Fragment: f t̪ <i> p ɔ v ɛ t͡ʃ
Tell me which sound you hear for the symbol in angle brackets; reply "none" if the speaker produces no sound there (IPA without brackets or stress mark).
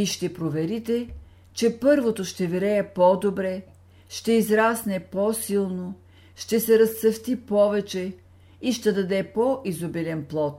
i